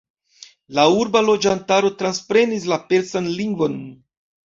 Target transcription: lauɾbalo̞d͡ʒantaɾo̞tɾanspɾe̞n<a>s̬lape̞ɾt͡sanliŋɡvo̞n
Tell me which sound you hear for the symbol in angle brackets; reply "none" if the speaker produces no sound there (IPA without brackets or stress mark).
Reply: i